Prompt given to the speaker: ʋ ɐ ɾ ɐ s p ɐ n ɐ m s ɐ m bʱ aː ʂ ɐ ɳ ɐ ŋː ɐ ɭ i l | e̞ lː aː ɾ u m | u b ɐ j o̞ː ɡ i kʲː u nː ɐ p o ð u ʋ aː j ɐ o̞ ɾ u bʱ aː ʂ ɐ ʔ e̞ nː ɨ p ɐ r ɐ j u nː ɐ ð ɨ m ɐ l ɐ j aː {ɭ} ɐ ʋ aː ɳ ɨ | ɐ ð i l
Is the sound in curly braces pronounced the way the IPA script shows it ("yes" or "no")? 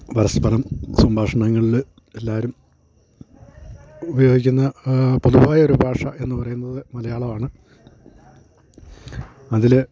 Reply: yes